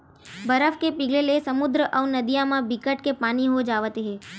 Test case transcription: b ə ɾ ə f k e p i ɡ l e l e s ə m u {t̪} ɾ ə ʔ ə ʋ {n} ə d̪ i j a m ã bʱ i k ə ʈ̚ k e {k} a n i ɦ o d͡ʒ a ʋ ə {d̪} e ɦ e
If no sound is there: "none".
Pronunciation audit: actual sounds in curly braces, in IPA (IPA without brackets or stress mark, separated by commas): d̪, n, p, t̪